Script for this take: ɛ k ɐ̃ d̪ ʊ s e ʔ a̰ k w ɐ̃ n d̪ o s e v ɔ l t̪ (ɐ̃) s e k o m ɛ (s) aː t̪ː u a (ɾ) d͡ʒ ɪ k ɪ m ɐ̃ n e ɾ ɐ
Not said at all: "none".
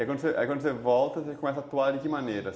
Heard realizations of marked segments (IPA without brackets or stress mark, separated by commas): ɐ, s, ɾ